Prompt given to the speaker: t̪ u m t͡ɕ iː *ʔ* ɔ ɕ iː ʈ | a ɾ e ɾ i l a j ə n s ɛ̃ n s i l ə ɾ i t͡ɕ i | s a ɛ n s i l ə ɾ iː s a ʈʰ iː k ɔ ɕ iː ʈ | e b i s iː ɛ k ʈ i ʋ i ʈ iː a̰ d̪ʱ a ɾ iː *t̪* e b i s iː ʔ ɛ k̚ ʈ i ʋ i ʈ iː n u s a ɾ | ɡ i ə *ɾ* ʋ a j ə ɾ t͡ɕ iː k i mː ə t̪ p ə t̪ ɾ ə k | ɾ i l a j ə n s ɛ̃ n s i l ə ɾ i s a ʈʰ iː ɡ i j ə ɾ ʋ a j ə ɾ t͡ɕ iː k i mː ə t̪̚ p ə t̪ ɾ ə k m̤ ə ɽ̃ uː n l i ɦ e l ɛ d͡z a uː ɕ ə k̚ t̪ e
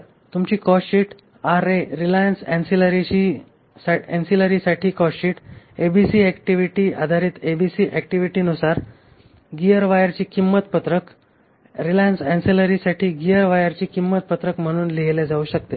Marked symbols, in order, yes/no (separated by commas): no, yes, yes